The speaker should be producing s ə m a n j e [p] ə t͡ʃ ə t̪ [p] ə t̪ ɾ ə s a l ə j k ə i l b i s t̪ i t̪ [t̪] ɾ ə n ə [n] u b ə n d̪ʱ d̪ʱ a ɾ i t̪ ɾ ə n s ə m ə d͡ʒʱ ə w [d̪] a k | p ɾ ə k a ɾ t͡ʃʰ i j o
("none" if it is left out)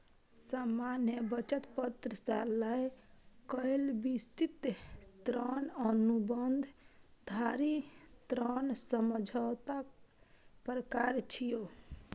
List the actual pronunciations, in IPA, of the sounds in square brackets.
b, p, t̪, n, t̪

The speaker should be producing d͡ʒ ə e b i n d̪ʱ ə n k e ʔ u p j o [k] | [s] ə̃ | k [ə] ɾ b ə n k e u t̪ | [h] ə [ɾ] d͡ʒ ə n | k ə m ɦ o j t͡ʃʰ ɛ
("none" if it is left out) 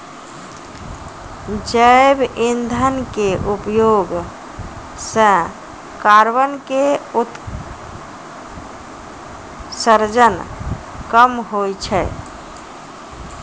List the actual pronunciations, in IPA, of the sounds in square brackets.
ɡ, s, a, s, ɾ

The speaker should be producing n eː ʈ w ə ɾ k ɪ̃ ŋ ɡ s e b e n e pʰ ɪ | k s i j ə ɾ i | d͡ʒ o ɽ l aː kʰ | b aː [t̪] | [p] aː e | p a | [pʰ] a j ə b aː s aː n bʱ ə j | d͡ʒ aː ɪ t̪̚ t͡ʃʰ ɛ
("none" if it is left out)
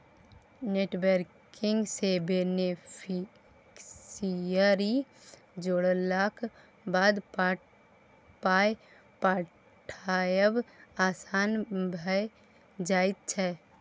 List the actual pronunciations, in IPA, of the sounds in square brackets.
d̪, p, ʈʰ

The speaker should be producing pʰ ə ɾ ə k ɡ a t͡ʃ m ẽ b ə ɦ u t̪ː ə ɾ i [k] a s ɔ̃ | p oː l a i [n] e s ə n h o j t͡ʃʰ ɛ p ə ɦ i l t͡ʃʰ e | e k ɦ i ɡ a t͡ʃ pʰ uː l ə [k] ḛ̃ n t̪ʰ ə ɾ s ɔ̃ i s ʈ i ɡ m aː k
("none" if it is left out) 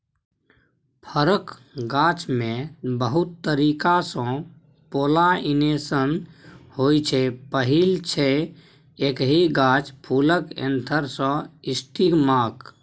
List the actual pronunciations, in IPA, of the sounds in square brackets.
k, n, k

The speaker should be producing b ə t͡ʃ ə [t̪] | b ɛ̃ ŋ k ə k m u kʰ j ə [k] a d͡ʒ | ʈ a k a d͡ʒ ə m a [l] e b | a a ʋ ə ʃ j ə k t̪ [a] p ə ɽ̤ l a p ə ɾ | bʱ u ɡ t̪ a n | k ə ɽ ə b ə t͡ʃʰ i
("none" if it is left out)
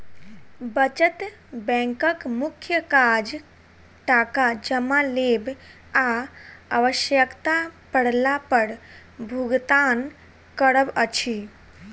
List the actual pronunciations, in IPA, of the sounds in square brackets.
t̪, k, l, a

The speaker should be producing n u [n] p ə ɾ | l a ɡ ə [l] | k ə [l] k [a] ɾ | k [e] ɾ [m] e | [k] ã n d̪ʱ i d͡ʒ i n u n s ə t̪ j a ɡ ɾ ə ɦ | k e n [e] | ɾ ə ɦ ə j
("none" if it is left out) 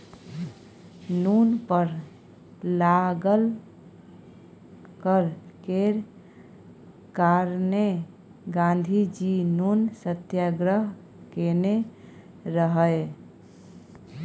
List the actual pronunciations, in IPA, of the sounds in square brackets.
n, l, ɾ, e, a, n, ɡ, e

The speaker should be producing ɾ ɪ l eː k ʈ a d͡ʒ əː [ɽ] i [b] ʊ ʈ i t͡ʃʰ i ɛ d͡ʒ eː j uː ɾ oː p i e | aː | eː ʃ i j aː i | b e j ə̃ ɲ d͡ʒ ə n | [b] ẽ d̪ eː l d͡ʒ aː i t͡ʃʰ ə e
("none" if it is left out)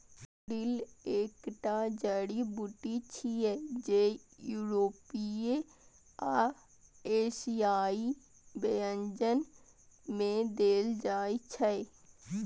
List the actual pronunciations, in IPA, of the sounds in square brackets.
ɽ, b, m

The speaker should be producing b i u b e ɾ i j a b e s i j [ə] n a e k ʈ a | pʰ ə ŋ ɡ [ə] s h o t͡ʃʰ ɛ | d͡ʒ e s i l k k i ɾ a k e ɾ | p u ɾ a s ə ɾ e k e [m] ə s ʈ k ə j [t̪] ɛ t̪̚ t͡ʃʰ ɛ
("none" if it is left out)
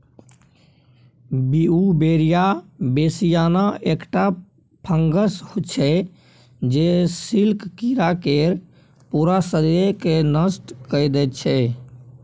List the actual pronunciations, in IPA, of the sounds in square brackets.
a, ə, n, d̪

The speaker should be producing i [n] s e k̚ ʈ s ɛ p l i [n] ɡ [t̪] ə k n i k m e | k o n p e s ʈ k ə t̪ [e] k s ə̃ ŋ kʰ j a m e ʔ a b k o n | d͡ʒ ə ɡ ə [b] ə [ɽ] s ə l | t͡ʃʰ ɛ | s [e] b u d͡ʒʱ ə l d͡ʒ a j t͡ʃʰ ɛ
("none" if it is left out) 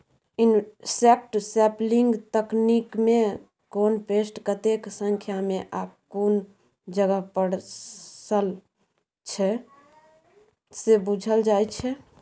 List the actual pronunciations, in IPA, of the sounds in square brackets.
n, ŋ, t̪, e, p, ɽ, e

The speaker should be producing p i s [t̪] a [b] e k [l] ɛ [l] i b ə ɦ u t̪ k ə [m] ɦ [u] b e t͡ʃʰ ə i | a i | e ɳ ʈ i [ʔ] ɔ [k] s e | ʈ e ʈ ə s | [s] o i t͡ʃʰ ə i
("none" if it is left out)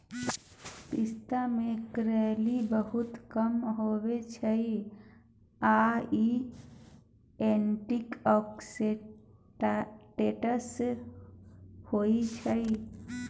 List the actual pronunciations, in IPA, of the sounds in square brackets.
t̪, m, ɾ, l, m, o, k, k, h

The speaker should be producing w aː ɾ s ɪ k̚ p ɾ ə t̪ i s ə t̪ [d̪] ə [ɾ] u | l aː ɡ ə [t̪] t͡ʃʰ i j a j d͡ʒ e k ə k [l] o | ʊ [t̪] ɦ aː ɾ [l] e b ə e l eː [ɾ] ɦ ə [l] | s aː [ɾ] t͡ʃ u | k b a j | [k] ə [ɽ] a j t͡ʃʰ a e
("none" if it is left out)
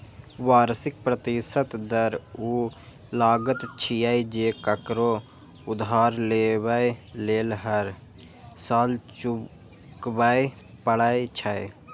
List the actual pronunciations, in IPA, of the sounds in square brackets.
d̪, ɾ, t̪, ɾ, d̪, l, l, ɾ, l, p, ɽ

